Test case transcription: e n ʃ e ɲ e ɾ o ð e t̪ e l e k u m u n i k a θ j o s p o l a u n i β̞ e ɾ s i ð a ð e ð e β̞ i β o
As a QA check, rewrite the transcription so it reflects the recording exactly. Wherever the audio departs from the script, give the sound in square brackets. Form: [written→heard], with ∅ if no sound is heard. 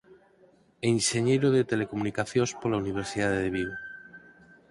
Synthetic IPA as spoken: e n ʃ e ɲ e ɾ o ð e t̪ e l e k [u→o] m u n i k a θ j o s p o l a u n i β̞ e ɾ s i ð a ð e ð e β̞ i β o